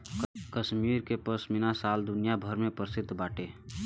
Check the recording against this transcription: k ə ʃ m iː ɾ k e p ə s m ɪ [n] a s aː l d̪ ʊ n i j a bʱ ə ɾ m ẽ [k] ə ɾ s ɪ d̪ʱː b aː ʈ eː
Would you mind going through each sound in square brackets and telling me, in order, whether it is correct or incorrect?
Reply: correct, incorrect

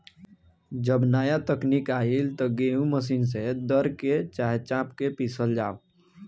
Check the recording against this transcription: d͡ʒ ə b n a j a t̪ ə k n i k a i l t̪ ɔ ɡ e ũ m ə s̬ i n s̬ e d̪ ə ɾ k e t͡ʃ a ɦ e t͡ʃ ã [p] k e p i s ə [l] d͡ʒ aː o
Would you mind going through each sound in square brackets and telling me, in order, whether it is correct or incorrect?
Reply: correct, correct

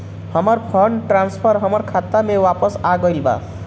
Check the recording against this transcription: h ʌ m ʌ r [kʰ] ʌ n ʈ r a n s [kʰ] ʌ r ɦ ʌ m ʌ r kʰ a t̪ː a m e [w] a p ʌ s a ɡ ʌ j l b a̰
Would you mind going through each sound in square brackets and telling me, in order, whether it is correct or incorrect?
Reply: incorrect, incorrect, correct

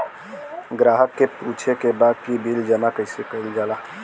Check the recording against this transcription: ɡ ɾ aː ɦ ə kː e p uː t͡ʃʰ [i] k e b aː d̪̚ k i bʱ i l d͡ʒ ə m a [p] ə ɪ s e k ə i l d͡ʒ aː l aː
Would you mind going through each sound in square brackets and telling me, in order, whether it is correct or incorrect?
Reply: incorrect, incorrect

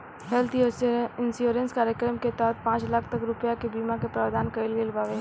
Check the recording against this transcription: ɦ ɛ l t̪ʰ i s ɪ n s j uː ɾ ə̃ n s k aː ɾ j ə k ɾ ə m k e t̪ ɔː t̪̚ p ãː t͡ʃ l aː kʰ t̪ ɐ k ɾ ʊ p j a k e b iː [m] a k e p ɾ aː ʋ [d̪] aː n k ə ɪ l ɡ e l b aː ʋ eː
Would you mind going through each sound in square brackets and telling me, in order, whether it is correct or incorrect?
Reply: correct, correct

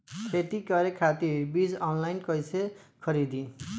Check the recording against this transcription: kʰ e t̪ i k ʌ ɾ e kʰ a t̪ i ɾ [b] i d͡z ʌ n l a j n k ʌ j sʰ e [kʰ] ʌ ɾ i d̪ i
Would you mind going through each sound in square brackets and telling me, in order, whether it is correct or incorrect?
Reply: correct, correct

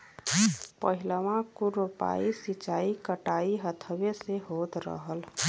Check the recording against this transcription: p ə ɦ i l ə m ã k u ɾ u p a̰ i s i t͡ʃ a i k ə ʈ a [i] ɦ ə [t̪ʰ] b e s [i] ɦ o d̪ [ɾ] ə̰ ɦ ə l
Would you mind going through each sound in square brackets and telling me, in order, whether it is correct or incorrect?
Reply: correct, correct, incorrect, correct

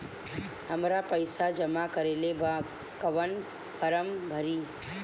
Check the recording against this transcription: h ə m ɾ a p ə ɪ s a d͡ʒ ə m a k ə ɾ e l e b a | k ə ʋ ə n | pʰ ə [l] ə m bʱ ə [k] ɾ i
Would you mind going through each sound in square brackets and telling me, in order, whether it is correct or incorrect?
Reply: incorrect, incorrect

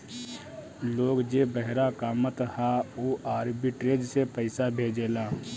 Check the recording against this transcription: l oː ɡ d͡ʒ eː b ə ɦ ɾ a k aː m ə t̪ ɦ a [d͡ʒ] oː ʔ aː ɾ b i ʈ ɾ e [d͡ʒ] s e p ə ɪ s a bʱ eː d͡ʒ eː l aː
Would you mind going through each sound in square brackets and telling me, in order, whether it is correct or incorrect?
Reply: incorrect, correct

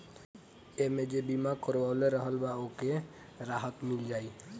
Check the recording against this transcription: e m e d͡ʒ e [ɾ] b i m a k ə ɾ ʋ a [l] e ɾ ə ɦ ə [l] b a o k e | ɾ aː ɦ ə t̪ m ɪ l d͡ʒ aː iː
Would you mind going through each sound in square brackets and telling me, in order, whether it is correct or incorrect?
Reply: incorrect, correct, correct

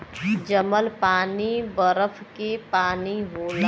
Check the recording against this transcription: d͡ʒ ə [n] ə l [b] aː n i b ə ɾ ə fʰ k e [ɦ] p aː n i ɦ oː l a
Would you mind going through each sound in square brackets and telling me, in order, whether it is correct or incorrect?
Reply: incorrect, incorrect, incorrect

